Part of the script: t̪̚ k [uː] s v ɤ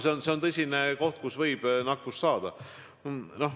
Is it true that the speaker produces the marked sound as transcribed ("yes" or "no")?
no